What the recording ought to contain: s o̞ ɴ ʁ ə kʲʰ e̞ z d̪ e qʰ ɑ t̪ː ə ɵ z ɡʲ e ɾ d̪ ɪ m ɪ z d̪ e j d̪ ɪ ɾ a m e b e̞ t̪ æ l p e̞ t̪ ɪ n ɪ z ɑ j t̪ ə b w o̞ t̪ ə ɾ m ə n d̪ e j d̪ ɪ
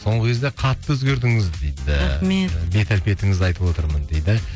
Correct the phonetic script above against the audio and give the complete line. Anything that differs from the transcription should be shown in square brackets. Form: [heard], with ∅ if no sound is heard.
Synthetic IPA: s o̞ ɴ ʁ ə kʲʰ e̞ z d̪ e qʰ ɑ t̪ː ə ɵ z ɡʲ e ɾ d̪ ɪ [ŋ] ɪ z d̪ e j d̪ ɪ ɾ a m e b e̞ t̪ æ l p e̞ t̪ ɪ [ŋ] ɪ z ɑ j t̪ ə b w o̞ t̪ ə ɾ m ə n d̪ e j d̪ ɪ